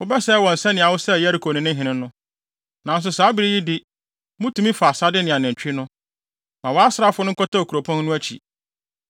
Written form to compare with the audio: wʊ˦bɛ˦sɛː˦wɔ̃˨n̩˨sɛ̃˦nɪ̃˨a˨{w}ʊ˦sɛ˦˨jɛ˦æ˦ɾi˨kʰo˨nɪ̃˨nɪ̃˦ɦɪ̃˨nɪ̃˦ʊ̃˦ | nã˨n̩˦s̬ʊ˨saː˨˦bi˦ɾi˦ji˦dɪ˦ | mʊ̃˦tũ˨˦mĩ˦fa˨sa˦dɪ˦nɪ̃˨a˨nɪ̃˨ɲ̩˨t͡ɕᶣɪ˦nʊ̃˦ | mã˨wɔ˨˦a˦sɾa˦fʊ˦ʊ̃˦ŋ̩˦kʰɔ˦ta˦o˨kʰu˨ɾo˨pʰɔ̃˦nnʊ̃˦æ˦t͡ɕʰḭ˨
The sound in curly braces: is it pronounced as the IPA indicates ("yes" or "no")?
yes